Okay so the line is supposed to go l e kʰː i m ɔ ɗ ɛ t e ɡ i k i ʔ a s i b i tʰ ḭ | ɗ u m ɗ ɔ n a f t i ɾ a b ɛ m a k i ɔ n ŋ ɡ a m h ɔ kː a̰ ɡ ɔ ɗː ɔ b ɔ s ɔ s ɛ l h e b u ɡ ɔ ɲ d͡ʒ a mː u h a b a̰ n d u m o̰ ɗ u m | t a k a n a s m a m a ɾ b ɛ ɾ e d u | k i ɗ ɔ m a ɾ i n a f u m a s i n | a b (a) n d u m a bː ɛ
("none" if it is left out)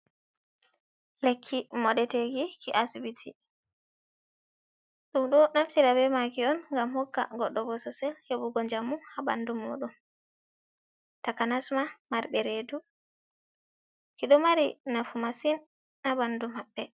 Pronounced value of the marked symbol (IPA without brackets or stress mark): a